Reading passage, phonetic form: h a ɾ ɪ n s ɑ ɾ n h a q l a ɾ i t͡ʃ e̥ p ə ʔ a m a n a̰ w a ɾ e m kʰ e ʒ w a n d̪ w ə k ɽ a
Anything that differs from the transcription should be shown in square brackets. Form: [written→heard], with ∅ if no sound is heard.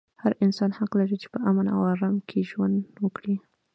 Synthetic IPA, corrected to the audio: h a ɾ ɪ n s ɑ [ɾ→∅] n h a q l a ɾ i t͡ʃ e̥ p ə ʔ a m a n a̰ w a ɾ [e→a] m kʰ e ʒ w a n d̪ w ə k ɽ [a→i]